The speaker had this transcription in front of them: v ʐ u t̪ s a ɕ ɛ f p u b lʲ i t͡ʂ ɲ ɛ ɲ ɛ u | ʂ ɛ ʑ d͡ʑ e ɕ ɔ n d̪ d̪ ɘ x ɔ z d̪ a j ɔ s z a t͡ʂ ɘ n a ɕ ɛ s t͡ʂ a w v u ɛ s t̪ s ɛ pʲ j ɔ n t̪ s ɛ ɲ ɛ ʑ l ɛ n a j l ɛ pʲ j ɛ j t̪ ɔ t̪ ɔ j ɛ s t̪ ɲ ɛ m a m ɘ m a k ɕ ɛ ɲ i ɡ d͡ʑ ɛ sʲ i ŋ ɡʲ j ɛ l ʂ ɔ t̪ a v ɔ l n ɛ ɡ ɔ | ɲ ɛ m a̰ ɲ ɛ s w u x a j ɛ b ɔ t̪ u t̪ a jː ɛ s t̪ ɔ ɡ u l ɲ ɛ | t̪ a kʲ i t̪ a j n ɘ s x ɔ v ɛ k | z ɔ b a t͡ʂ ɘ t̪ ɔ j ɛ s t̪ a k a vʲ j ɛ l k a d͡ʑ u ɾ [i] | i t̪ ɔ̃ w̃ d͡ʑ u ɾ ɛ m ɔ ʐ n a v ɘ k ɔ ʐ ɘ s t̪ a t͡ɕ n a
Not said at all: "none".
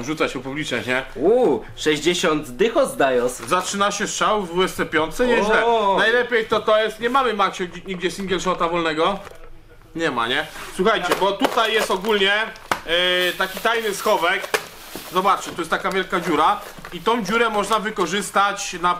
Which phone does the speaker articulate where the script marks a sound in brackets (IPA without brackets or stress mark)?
a